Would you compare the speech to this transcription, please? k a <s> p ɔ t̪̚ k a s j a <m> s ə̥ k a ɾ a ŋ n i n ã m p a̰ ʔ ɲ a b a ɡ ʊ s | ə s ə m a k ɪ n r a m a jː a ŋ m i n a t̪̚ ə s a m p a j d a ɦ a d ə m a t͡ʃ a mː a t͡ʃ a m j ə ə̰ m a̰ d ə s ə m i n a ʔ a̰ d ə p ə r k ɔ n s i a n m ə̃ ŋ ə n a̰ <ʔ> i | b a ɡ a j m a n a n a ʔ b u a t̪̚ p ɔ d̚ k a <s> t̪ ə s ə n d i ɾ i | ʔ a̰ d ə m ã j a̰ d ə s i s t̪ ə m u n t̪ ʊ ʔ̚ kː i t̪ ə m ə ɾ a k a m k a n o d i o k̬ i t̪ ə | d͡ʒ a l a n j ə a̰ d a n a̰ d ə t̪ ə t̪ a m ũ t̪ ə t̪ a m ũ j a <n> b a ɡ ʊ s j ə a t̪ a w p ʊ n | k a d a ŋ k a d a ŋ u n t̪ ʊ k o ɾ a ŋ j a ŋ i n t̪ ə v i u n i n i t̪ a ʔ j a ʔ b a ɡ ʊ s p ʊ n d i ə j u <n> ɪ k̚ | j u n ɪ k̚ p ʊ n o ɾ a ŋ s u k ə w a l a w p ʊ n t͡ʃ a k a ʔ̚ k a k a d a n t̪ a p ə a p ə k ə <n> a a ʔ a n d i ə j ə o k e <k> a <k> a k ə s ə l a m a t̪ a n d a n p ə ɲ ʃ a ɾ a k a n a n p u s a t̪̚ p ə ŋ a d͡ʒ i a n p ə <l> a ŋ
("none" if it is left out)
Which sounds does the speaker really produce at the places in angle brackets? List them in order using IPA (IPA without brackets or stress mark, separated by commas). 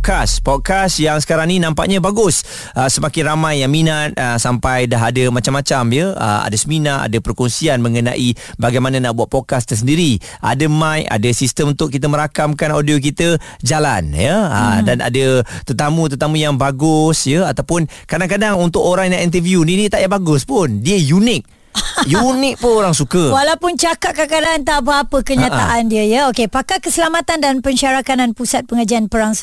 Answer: s, ŋ, ʔ, s, ŋ, n, ɲ, p, k, ɾ